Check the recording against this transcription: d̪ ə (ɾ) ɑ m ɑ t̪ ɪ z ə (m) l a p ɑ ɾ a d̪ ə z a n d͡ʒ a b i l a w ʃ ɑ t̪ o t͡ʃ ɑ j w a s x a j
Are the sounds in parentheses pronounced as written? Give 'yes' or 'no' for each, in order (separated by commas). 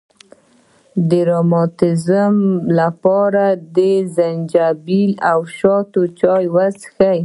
yes, yes